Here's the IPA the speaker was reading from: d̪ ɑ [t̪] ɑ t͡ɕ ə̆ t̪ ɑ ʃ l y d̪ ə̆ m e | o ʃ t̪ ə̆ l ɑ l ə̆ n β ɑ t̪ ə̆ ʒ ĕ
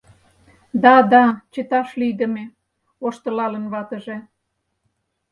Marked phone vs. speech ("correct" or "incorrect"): incorrect